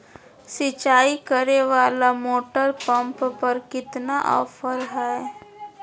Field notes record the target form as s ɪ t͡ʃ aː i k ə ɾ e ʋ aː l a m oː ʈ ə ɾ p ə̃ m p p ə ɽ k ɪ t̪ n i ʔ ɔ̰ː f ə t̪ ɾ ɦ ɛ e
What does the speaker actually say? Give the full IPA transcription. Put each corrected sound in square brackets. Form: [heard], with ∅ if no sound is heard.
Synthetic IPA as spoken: s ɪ t͡ʃ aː i k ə ɾ e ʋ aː l a m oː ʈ ə ɾ p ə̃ m p p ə [ɾ] k ɪ t̪ n [a] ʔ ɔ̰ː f ə [∅] ɾ ɦ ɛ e

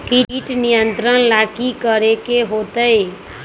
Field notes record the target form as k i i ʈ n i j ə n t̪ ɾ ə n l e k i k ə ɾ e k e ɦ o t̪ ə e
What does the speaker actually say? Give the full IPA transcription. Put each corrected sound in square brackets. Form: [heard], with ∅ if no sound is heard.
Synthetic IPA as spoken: k i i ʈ n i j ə n t̪ ɾ ə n l [a] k i k ə ɾ e k e ɦ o t̪ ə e

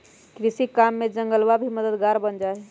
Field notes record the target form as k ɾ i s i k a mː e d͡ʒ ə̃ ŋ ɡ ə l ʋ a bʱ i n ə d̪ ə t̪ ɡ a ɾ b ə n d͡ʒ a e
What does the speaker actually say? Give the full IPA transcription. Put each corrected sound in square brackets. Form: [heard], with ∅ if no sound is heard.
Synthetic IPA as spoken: k ɾ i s i k a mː e d͡ʒ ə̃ ŋ ɡ ə l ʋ a bʱ i [m] ə d̪ ə [d̪] ɡ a ɾ b ə n d͡ʒ a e

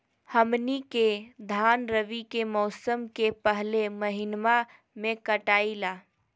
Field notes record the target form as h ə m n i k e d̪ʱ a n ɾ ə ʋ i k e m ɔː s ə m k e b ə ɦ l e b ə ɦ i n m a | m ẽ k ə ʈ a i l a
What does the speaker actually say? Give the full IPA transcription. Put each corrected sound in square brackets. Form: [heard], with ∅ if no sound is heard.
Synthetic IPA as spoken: h ə m n i k e d̪ʱ a n ɾ ə ʋ i k e m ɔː s ə m k e [p] ə ɦ l e [m] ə ɦ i n m a | m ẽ k ə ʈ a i l a

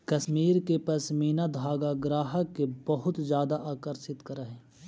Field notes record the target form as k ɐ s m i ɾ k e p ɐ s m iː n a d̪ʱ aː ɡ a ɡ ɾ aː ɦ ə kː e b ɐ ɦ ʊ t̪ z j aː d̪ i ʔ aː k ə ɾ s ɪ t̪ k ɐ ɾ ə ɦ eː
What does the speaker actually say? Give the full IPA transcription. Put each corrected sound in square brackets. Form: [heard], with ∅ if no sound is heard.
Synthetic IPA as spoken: k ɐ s m [iː] ɾ k e p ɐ s m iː n a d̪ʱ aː ɡ a ɡ ɾ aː ɦ ə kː e b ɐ ɦ ʊ t̪ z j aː d̪ [a] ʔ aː k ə ɾ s ɪ t̪ k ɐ ɾ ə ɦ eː

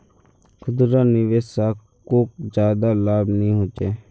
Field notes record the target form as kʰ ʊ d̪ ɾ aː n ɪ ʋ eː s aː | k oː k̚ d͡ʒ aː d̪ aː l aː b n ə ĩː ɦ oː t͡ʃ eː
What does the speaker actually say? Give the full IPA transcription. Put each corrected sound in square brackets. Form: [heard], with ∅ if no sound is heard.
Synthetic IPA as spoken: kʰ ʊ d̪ ɾ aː n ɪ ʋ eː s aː | k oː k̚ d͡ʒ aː d̪ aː l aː b n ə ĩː ɦ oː t͡ʃ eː

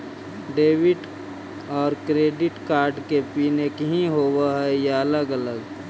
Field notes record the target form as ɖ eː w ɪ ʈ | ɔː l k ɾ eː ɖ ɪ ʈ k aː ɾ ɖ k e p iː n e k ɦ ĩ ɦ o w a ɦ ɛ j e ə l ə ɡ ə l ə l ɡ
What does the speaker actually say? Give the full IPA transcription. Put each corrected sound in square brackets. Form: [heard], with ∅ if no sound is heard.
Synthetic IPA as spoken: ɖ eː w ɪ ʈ | ɔː [ɾ] k ɾ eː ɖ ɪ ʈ k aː ɾ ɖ k e p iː n e k ɦ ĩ ɦ o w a ɦ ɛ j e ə l ə ɡ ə l ə [∅] ɡ

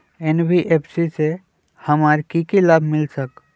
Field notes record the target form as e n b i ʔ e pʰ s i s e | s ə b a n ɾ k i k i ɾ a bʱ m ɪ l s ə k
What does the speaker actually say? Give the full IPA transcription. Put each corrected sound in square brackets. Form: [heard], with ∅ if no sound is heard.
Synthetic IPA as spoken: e n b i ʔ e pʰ s i s e | [h] ə [m] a [∅] ɾ k i k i [l] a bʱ m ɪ l s ə k

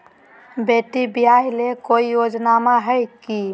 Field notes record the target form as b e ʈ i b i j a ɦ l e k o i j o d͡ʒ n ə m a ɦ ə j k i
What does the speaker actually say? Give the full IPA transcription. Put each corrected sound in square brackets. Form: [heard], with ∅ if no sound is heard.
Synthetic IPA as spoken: b e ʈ i b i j a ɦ l e k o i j o d͡ʒ n [a] m a ɦ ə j k i

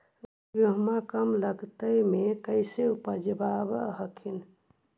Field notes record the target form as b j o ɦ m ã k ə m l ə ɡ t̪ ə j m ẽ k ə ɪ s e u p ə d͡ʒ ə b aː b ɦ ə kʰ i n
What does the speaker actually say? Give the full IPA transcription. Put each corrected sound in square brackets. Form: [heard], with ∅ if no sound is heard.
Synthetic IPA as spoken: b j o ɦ m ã k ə m l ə ɡ t̪ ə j m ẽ k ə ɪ s e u p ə d͡ʒ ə b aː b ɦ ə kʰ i n

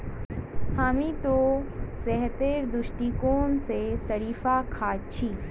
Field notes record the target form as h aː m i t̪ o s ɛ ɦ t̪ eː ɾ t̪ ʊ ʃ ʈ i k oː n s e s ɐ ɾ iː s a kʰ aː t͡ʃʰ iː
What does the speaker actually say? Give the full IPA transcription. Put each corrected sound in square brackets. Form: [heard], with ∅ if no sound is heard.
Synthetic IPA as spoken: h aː m i t̪ o s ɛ ɦ t̪ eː ɾ [d̪] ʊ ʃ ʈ i k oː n s e s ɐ ɾ iː [f] a kʰ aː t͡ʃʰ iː

